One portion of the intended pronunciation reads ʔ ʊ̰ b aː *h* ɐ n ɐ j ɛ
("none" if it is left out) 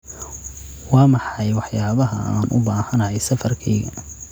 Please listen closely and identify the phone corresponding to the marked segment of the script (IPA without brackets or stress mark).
h